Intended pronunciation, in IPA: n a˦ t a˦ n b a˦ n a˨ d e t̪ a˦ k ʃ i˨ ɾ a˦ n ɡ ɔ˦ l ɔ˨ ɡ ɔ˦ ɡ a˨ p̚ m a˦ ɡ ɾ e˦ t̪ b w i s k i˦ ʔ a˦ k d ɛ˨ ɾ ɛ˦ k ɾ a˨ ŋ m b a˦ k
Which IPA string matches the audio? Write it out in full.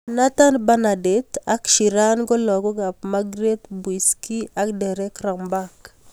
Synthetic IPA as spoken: n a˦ t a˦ n b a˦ n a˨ d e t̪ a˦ k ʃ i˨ ɾ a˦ n ɡ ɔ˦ l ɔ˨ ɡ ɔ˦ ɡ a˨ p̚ m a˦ ɡ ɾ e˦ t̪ b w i s k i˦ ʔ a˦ k d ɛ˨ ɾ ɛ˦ k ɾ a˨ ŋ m b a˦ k